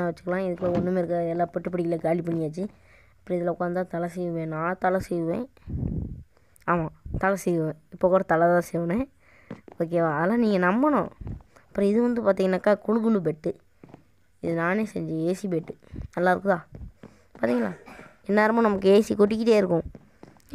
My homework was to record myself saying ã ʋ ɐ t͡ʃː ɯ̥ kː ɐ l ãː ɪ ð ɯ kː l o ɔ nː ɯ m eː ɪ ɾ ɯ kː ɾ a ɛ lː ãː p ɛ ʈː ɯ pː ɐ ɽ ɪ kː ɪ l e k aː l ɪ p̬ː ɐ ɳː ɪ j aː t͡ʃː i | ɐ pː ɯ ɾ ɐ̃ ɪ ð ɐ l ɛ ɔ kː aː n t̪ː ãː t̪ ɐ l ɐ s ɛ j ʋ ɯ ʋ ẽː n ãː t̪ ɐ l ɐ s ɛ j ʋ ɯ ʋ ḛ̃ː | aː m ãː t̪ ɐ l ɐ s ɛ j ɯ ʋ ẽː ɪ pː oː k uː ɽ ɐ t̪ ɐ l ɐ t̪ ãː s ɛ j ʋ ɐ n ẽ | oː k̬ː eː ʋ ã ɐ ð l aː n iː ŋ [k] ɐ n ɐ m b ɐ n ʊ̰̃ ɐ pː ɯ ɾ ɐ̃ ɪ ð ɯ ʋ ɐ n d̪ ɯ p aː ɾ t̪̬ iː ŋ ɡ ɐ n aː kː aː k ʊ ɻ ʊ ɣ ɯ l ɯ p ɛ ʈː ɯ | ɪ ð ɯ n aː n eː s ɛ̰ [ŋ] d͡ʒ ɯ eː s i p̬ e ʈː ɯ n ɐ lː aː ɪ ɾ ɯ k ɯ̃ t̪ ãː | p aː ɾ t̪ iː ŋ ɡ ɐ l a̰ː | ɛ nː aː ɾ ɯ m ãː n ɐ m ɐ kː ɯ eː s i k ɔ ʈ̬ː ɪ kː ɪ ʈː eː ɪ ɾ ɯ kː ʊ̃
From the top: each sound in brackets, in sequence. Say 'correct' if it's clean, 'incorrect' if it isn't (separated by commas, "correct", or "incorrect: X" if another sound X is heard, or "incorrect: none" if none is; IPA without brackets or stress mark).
incorrect: ɡ, incorrect: ɲ